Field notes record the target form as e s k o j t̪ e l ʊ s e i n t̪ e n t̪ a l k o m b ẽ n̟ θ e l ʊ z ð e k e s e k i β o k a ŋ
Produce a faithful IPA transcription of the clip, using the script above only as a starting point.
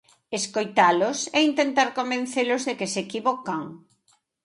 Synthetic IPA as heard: e s k o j t̪ a l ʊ s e i n t̪ e n t̪ a ɾ k o m b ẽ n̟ θ e l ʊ z ð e k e s e k i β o k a ŋ